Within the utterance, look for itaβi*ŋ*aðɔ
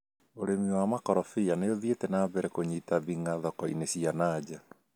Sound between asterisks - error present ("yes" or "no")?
no